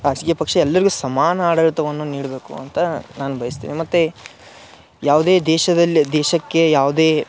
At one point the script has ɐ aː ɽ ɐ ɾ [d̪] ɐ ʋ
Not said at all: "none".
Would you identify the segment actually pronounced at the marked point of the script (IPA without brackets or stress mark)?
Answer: t̪